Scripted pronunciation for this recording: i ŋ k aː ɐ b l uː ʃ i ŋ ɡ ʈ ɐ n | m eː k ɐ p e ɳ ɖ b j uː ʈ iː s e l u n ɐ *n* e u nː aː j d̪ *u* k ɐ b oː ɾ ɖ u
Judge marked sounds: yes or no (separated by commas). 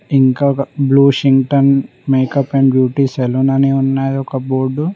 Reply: yes, no